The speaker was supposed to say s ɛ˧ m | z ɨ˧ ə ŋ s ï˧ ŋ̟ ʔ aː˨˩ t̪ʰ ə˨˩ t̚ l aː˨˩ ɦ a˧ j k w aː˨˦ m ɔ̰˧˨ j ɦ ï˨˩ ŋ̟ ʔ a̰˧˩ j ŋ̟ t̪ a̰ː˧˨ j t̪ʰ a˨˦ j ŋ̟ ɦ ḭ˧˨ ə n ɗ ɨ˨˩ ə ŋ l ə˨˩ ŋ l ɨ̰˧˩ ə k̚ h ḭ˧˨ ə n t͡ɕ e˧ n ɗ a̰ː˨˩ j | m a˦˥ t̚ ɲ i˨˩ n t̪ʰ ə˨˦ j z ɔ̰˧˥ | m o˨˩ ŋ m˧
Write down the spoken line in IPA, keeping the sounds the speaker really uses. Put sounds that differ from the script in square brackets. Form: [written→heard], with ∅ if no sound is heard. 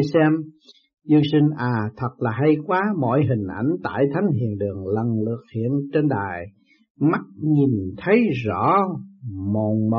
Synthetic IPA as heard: s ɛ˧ m | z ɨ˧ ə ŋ s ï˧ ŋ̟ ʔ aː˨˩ t̪ʰ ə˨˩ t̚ l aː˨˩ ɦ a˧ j k w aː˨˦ m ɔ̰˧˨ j ɦ ï˨˩ ŋ̟ ʔ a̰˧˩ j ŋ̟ t̪ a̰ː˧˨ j t̪ʰ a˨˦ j ŋ̟ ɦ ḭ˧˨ ə n ɗ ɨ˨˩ ə ŋ l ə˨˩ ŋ l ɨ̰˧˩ ə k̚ h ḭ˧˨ ə n t͡ɕ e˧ n ɗ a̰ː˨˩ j | m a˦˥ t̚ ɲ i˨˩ n t̪ʰ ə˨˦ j z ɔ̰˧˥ | m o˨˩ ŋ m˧